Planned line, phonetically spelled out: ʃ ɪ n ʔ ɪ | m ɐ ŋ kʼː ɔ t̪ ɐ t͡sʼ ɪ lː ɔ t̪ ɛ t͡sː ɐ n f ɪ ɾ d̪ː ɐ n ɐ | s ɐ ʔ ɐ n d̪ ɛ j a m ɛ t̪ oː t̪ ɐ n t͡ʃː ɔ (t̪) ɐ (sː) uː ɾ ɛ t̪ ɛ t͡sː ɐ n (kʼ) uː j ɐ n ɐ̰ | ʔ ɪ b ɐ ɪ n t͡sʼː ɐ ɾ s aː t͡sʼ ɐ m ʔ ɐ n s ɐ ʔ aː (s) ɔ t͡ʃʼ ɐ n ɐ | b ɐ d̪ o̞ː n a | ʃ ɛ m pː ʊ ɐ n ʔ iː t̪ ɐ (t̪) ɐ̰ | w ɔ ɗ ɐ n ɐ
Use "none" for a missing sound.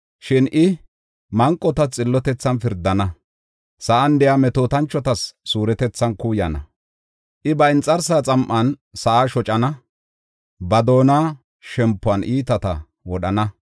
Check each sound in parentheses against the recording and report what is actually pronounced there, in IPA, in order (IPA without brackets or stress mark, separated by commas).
t̪, sː, k, ʃ, t̪